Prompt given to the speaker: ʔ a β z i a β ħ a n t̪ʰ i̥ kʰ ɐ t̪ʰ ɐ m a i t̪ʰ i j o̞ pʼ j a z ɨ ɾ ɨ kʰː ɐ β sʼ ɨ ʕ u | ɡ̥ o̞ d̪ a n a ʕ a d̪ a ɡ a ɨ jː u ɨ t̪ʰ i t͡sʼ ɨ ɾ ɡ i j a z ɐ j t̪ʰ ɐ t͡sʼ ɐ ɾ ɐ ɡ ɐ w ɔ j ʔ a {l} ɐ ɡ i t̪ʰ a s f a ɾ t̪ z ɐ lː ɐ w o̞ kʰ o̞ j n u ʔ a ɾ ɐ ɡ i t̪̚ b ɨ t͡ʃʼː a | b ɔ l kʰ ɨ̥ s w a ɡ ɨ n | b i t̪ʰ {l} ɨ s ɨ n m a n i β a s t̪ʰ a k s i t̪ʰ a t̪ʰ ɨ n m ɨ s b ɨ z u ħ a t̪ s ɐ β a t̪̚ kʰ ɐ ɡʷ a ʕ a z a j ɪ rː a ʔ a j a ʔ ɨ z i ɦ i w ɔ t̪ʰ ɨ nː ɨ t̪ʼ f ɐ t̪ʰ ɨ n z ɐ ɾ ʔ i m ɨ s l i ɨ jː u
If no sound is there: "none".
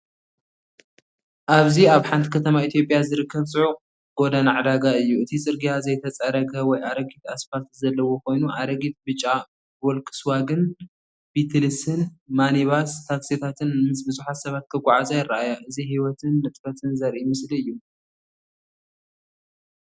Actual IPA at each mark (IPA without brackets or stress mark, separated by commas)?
ɾ, l